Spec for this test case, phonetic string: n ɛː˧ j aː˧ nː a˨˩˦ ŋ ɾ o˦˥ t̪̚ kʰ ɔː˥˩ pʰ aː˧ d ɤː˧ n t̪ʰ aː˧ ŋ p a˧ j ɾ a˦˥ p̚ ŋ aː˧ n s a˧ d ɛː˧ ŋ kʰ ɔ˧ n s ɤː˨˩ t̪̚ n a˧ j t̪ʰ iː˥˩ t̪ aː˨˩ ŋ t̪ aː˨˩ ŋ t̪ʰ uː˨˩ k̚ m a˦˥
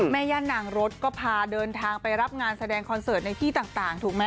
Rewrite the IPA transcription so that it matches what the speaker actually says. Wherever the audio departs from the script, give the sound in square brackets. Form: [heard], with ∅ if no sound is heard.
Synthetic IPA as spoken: [m] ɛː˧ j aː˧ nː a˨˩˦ ŋ ɾ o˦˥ t̪̚ [k] ɔː˥˩ pʰ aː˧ d ɤː˧ n t̪ʰ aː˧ ŋ p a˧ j ɾ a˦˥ p̚ ŋ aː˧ n s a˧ d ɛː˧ ŋ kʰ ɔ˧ n s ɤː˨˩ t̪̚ n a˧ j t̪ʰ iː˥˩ t̪ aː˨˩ ŋ t̪ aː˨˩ ŋ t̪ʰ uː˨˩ k̚ m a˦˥